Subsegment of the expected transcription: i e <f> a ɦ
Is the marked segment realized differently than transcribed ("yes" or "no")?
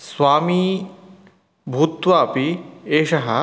yes